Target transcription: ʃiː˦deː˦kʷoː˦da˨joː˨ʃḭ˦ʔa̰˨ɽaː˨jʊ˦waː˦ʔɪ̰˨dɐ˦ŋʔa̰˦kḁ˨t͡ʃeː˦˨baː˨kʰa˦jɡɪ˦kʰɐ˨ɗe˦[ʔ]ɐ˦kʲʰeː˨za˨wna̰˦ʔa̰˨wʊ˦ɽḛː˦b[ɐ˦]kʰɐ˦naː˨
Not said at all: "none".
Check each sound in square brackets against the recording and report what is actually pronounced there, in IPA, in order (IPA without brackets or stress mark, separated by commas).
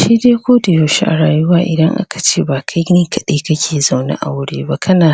k, a˦